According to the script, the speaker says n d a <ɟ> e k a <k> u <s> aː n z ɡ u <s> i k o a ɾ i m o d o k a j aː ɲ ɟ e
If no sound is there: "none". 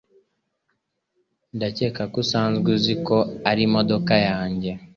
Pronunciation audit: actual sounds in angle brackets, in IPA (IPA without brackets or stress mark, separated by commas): c, k, s, z